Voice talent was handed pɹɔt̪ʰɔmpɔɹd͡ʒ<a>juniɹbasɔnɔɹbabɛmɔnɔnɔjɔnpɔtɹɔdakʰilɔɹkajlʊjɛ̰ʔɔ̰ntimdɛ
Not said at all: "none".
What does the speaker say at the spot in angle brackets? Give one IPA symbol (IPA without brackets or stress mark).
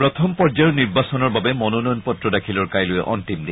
a